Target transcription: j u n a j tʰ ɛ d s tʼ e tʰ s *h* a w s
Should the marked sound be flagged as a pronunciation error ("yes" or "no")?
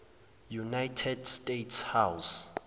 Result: no